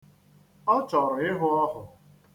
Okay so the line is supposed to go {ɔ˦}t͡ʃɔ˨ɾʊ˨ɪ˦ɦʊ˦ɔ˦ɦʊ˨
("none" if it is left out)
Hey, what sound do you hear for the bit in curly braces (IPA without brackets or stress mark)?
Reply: ɔ˦